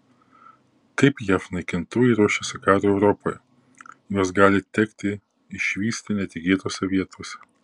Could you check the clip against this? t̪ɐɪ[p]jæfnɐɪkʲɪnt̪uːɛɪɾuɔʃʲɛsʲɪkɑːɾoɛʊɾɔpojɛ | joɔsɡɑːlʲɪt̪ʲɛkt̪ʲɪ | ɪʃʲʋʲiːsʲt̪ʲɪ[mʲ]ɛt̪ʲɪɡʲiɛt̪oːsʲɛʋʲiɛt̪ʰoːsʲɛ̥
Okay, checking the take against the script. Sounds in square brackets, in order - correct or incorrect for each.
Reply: correct, incorrect

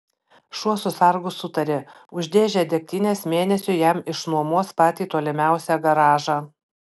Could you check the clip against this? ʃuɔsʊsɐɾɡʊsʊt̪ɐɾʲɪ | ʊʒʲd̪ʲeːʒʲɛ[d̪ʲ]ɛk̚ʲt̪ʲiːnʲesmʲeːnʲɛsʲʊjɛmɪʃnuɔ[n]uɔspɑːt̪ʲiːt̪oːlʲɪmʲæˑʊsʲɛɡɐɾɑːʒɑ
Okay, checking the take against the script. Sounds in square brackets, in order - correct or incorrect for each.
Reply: correct, incorrect

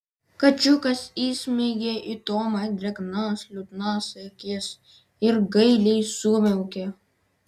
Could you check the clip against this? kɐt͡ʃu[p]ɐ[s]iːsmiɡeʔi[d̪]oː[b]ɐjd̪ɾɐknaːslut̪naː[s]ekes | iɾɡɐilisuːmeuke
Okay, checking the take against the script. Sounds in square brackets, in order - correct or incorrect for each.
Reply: incorrect, correct, incorrect, incorrect, correct

